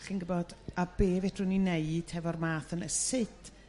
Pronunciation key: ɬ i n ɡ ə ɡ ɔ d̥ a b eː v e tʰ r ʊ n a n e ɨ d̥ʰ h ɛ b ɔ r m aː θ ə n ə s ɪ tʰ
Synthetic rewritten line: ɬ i n ɡ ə b ɔ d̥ a b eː v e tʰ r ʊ n i n e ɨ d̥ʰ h ɛ v ɔ r m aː θ ə n ə s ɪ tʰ